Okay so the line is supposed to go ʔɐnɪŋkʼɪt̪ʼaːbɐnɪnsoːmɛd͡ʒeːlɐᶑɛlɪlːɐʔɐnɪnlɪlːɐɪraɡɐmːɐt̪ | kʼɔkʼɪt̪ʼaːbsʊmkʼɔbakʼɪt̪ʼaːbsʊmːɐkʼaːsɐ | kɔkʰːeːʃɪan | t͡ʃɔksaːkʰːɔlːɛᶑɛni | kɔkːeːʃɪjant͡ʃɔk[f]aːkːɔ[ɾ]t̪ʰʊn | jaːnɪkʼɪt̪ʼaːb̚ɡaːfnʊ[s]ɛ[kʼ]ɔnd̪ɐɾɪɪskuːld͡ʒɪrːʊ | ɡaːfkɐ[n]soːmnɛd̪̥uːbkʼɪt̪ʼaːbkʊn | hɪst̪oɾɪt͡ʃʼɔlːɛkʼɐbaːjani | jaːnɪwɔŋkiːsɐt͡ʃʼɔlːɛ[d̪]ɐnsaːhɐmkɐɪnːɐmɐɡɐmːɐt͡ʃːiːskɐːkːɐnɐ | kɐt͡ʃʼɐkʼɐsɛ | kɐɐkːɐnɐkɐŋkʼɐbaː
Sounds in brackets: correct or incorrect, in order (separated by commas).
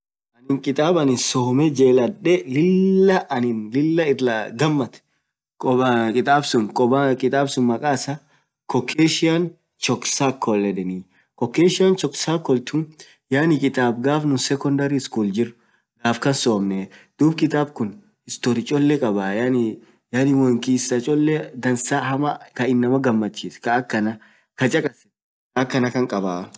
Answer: incorrect, incorrect, correct, incorrect, correct, correct